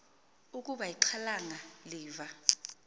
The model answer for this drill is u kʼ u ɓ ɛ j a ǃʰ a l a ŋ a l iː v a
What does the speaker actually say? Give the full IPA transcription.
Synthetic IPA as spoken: u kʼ u ɓ a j i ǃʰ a l a ŋ a l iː v a